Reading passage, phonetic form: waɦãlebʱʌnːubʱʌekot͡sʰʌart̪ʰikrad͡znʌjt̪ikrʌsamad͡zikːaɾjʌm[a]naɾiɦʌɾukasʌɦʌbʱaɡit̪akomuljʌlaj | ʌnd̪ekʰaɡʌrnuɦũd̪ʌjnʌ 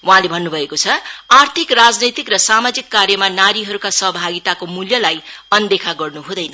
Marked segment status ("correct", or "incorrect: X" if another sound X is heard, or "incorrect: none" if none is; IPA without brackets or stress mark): correct